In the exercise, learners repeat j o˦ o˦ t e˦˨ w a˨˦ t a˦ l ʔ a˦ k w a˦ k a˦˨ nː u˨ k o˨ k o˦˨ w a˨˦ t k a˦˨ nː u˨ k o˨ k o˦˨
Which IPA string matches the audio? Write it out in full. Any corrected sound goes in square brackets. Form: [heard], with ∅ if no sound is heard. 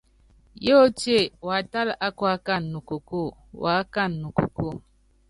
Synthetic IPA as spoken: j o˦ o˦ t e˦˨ w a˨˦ t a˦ l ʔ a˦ k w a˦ k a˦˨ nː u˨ k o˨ k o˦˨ w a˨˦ [∅] k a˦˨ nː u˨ k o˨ k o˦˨